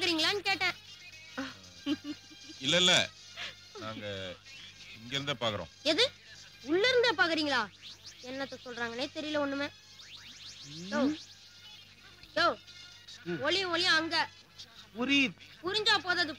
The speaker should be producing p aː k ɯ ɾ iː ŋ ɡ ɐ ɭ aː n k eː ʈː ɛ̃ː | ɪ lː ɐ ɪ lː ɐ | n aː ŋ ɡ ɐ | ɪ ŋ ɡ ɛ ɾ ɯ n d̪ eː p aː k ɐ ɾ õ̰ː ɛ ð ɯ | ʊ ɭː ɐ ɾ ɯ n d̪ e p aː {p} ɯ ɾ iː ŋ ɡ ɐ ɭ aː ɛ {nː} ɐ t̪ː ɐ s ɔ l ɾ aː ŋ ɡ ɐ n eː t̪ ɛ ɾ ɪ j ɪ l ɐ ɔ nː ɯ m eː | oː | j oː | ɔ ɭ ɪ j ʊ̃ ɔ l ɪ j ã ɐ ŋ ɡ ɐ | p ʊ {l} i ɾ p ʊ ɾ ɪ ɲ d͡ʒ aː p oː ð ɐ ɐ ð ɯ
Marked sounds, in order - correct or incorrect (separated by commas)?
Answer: incorrect, correct, incorrect